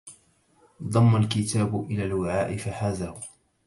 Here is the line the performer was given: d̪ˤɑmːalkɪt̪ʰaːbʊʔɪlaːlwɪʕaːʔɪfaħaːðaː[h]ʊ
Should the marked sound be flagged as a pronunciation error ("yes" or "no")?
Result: no